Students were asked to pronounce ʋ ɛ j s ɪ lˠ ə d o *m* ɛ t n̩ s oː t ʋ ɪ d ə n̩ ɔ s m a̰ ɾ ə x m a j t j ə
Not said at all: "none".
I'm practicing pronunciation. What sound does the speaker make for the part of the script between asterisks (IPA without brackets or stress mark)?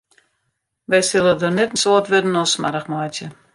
n